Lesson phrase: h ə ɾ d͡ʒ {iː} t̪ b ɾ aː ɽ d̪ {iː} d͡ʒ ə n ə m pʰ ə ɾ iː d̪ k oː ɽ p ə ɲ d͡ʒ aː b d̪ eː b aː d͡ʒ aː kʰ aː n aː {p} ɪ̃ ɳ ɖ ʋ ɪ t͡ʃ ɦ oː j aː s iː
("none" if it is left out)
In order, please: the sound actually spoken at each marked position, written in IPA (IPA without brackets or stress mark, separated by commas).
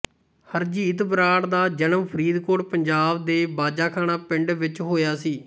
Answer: iː, aː, p